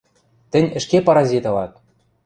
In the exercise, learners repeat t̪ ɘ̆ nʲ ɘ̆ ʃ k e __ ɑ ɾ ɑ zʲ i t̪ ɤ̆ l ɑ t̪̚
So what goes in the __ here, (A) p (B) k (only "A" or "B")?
A